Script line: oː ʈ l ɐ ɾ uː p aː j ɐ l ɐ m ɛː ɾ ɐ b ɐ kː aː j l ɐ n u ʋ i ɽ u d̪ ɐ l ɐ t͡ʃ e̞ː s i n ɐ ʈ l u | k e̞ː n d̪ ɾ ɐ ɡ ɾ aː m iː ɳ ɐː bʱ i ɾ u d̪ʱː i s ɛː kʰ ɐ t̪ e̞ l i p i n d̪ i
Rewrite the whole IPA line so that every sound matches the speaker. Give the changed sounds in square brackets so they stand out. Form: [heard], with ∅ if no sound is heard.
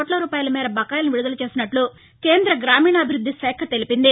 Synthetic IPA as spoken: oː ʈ l ɐ ɾ uː p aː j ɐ l ɐ m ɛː ɾ ɐ b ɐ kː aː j l ɐ n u ʋ i ɽ u d̪ ɐ l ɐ t͡ʃ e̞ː s i n ɐ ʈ l u | k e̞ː n d̪ ɾ ɐ ɡ ɾ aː m iː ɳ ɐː bʱ i ɾ u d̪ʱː i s ɛː kʰ ɐ t̪ e̞ l i p i n d̪ i